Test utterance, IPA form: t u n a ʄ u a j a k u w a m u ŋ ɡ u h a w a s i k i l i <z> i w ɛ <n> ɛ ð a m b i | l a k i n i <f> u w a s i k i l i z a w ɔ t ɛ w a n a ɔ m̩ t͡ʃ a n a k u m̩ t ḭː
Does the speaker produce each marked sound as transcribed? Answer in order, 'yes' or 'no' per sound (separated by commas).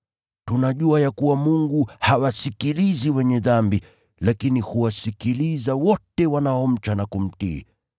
yes, no, no